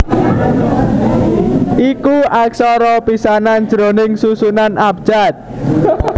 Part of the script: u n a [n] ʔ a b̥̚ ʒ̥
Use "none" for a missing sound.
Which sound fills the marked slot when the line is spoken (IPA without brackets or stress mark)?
n